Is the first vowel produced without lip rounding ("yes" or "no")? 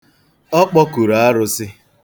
no